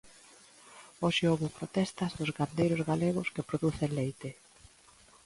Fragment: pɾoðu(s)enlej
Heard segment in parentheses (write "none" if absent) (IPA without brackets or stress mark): θ